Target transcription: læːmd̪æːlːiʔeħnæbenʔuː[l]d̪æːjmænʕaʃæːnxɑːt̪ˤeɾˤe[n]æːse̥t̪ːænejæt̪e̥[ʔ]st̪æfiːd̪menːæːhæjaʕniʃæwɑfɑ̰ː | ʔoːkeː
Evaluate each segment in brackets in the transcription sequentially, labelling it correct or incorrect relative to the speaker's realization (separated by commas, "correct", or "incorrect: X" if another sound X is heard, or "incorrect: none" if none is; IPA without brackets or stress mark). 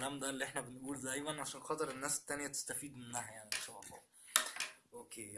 correct, incorrect: nː, incorrect: none